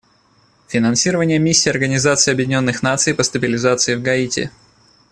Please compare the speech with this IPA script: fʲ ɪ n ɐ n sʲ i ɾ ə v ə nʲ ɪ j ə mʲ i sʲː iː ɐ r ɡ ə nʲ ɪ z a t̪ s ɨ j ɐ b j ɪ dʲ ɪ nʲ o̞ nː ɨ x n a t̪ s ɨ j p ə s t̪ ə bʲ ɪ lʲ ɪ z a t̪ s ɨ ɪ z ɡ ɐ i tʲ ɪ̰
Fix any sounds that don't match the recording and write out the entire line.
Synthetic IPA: fʲ ɪ n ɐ n sʲ i ɾ ə v ə nʲ ɪ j ə mʲ i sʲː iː ɐ r ɡ ə nʲ ɪ z a t̪ s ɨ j ɐ b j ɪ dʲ ɪ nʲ o̞ nː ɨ x n a t̪ s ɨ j p ə s t̪ ə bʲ ɪ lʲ ɪ z a t̪ s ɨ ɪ v ɡ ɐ i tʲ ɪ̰